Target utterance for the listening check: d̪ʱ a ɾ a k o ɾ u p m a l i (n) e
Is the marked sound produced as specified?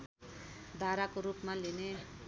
yes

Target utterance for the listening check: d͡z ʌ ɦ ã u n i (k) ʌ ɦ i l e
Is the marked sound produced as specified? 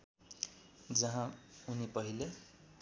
no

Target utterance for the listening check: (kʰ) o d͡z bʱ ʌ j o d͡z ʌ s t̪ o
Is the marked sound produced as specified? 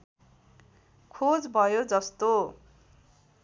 yes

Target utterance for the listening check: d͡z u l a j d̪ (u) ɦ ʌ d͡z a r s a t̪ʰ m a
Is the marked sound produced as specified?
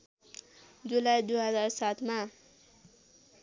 yes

